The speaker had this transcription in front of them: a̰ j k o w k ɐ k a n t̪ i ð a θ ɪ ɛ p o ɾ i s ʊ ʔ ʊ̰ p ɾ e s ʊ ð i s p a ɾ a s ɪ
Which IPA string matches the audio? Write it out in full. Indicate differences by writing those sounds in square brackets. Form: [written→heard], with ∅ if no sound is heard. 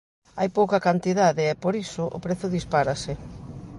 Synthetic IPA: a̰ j [k→p] o w k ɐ k a n t̪ i ð a [θ→ð] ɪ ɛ p o ɾ i s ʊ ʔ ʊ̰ p ɾ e [s→θ] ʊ ð i s p a ɾ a s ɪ